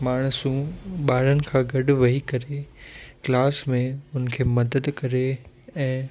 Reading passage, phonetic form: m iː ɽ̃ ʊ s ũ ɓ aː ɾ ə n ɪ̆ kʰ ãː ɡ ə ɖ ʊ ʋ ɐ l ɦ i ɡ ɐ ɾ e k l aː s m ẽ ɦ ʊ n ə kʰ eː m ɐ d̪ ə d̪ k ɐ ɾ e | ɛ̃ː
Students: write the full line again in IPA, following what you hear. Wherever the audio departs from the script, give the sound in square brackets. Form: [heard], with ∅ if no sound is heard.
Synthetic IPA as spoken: m [aː] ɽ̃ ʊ s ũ ɓ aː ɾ ə n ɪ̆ kʰ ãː ɡ [ɐ] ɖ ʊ ʋ ɐ [∅] ɦ i [k] ɐ ɾ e k l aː s m ẽ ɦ ʊ n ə kʰ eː m ɐ d̪ ə d̪ k ɐ ɾ e | ɛ̃ː